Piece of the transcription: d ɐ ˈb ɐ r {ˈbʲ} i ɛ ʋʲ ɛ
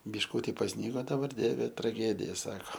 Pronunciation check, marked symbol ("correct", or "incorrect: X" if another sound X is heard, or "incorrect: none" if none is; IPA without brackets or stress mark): incorrect: dʲ